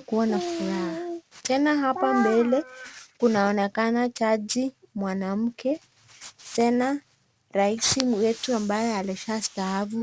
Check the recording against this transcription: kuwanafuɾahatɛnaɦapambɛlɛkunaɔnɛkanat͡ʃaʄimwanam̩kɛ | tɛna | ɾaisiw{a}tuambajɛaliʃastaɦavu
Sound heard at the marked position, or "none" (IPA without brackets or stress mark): ɛ